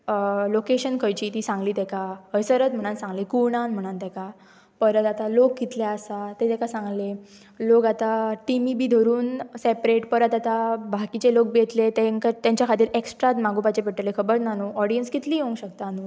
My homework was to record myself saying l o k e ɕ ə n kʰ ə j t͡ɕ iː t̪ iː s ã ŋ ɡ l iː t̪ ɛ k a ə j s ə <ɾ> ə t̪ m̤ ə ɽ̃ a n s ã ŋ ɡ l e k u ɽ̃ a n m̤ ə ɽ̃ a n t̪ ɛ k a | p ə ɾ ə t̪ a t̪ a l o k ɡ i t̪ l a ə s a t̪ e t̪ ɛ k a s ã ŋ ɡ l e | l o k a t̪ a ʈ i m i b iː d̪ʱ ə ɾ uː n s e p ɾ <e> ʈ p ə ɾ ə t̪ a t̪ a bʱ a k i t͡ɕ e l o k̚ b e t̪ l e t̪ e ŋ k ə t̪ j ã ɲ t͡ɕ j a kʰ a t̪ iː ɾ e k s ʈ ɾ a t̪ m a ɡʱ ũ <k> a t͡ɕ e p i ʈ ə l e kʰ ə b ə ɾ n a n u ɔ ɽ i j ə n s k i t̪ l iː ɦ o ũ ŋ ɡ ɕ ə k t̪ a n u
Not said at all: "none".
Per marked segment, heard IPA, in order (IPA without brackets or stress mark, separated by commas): ɾ, e, p